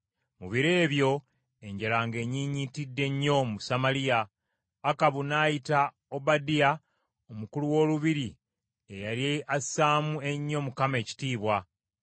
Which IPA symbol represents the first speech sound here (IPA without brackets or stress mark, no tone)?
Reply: m